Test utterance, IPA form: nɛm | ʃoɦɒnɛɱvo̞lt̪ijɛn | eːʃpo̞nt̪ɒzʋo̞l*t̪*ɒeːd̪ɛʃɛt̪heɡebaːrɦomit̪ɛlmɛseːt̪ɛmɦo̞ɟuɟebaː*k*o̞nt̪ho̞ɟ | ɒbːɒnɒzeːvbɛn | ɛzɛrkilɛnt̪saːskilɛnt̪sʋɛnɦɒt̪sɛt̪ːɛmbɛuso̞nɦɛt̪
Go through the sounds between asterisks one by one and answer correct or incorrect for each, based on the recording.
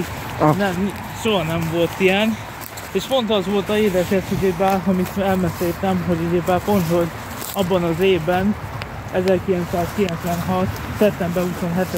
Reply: correct, incorrect

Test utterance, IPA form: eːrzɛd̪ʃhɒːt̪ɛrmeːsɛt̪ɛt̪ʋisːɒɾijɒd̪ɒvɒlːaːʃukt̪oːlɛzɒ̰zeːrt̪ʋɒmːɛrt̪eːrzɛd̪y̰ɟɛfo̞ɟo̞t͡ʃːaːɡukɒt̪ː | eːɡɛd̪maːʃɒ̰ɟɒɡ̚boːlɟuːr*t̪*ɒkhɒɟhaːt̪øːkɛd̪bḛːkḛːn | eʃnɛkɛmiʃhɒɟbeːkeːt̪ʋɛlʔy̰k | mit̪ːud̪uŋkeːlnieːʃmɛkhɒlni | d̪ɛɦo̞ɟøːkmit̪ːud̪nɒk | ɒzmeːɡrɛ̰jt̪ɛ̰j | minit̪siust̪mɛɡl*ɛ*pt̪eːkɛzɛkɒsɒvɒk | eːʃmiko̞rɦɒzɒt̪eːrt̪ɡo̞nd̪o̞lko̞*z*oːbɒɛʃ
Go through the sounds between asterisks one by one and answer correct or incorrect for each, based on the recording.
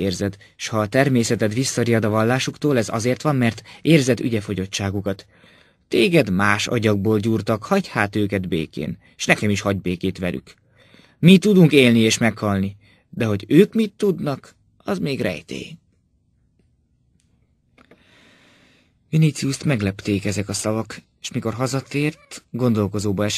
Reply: correct, correct, correct

